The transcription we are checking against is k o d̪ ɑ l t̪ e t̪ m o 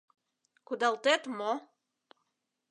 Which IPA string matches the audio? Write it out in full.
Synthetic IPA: k u d̪ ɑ l t̪ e t̪ m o